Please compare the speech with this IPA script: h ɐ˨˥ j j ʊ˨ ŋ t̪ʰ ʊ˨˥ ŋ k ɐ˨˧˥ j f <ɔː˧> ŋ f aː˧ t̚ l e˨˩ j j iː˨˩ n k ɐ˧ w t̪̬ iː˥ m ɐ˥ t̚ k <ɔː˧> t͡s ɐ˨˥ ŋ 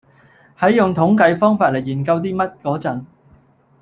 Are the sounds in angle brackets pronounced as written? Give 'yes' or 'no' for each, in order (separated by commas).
no, no